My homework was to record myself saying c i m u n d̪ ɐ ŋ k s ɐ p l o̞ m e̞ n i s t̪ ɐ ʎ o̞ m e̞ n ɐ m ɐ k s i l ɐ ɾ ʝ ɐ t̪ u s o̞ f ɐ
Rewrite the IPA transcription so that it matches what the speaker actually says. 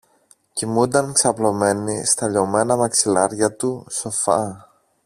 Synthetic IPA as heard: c i m u n d̪ ɐ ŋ k s ɐ p l o̞ m e̞ n i s t̪ ɐ ʎ o̞ m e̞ n ɐ m ɐ k s i l ɐ ɾ ʝ ɐ t̪ u s o̞ f ɐ